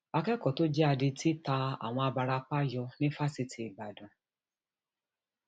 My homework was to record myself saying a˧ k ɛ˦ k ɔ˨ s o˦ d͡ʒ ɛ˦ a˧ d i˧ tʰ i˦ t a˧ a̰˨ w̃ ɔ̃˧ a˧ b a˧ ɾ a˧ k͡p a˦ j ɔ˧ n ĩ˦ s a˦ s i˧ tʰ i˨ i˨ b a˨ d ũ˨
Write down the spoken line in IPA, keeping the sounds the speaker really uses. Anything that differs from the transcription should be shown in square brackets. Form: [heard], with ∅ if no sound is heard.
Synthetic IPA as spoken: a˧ k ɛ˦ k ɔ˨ [t] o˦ d͡ʒ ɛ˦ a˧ d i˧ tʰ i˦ t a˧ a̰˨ w̃ ɔ̃˧ a˧ b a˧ ɾ a˧ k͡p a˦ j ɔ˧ n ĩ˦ [f] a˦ s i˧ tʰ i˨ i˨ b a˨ d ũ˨